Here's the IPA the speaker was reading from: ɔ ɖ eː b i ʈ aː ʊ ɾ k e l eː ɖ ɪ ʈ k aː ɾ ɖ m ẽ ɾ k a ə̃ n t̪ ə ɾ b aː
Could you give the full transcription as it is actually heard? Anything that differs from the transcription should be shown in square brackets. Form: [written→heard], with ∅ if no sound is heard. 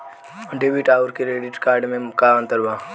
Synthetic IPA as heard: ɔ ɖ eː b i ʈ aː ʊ ɾ k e [l→ɾ] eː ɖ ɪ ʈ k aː ɾ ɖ m ẽ [ɾ→∅] k a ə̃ n t̪ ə ɾ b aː